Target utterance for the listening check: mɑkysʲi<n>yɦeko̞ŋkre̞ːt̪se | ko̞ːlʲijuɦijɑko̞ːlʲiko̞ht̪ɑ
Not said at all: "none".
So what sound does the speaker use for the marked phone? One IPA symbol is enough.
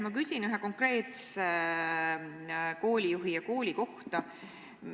n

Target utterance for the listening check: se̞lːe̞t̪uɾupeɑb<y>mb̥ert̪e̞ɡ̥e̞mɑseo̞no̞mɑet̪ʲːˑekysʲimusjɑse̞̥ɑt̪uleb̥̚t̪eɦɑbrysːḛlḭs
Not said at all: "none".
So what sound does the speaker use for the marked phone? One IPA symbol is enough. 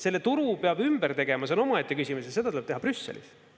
y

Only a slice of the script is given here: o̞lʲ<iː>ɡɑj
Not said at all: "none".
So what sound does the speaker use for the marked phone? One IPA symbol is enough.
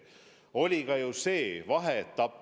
i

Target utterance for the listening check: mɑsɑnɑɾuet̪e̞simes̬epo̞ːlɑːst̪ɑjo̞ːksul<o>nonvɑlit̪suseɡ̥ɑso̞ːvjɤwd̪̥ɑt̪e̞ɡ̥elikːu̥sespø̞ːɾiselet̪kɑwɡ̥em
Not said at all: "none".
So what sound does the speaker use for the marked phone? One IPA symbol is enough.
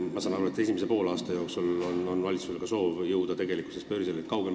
o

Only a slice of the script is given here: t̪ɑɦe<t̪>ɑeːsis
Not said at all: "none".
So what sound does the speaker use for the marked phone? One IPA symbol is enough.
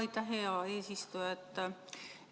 none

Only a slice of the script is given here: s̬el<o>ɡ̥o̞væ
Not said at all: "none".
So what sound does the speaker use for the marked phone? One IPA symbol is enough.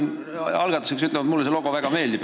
o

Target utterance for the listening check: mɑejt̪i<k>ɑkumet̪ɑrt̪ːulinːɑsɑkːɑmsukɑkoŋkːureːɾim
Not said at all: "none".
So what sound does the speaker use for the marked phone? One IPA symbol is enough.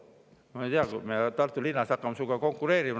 none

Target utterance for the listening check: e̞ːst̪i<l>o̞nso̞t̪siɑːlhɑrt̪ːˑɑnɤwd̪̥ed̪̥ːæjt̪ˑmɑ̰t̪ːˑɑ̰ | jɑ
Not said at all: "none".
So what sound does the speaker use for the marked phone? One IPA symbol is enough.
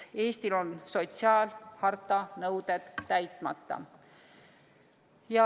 l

